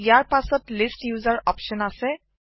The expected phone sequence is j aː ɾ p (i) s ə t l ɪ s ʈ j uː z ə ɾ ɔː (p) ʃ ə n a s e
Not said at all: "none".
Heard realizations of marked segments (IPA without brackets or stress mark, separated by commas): a, p